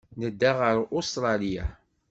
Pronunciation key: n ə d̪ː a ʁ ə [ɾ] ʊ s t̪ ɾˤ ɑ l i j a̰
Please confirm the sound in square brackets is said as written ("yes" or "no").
yes